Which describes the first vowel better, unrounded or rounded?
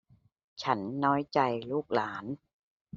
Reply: unrounded